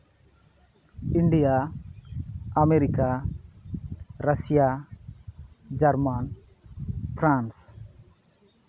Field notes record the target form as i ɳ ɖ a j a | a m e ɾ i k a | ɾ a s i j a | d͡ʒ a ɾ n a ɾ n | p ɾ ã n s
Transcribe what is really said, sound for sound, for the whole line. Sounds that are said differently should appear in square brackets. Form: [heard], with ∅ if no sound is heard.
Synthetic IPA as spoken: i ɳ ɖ [i] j a | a m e ɾ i k a | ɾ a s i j a | d͡ʒ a ɾ [m] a [∅] n | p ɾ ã n s